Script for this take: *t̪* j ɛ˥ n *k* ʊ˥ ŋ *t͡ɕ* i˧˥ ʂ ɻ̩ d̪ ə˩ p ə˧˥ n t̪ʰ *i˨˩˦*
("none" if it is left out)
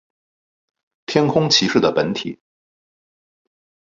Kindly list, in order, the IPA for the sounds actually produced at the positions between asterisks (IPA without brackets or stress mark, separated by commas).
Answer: t̪ʰ, kʰ, t͡ɕʰ, i˨˩˦